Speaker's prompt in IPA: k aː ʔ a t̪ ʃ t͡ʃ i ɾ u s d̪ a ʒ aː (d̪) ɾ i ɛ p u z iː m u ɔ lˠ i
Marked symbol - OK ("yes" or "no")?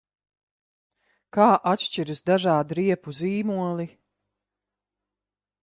yes